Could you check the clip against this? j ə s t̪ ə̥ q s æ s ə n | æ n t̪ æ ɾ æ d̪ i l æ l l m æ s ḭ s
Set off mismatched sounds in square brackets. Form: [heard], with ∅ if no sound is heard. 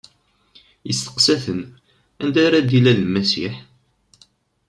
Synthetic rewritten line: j ə s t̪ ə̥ q s æ [θ] ə n | æ n [d̪] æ ɾ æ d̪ i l æ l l m æ s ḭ [ħ]